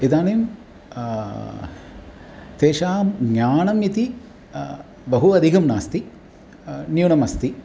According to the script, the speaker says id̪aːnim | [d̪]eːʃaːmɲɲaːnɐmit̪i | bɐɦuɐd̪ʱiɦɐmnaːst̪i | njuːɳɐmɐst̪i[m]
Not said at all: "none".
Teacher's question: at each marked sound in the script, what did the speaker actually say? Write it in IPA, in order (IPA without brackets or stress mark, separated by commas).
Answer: t̪, none